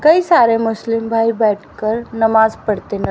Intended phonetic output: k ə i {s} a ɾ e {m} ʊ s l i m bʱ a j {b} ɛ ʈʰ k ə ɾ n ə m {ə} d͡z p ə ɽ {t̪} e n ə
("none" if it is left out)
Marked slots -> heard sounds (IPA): s, m, b, a, t̪

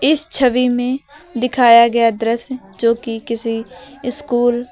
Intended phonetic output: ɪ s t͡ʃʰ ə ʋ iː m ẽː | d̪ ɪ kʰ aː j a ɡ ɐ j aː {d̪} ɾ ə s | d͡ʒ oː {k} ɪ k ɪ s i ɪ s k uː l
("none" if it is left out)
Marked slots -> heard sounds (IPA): d̪, k

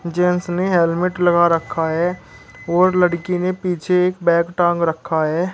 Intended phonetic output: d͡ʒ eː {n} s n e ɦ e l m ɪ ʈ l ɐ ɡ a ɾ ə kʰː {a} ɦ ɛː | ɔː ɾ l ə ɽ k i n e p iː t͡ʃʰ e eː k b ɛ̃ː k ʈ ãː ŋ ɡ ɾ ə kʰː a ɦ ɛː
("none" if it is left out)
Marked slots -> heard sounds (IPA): n, a

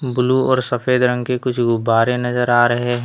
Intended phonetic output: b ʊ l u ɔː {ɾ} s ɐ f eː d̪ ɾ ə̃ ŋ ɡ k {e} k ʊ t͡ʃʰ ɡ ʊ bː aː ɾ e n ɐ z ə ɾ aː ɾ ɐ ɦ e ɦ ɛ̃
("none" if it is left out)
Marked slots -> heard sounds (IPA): ɾ, e

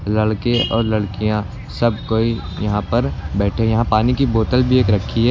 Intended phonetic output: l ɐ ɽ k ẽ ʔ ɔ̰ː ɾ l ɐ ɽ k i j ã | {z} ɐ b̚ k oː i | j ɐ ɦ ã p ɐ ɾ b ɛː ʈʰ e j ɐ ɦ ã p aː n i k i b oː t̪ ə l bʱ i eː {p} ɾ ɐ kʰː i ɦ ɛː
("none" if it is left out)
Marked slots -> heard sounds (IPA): s, k

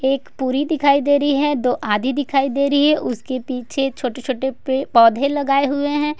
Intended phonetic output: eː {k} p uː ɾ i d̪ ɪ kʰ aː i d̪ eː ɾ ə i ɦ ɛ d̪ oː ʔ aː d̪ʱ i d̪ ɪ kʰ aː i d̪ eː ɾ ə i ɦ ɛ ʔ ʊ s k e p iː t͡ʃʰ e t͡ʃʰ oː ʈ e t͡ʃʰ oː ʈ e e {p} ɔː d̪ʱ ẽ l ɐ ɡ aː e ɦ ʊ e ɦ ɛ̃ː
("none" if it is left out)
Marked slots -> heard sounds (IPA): k, p

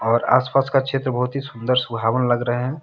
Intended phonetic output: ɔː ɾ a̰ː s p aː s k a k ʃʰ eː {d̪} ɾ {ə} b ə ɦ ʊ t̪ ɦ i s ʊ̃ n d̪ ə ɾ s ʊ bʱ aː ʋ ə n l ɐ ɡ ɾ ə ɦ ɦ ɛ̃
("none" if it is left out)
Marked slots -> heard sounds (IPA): t̪, ə

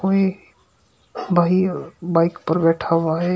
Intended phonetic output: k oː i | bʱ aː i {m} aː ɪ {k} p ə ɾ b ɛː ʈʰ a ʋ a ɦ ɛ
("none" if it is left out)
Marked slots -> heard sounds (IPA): b, k

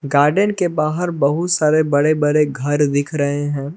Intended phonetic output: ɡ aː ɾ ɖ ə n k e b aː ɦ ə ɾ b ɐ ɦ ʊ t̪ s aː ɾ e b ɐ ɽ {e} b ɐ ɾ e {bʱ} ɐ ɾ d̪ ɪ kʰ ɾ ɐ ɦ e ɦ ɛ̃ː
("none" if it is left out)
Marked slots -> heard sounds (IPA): e, ɡʱ

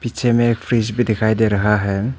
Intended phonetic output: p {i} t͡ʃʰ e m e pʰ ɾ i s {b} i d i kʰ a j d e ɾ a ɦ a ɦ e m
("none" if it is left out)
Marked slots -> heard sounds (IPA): i, b

